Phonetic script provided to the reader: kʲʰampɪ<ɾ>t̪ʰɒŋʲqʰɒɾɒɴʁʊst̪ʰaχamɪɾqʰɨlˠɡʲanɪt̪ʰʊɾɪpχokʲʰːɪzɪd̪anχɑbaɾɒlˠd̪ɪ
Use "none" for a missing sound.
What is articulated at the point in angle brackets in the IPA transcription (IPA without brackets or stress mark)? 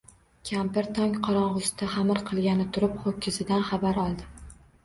ɾ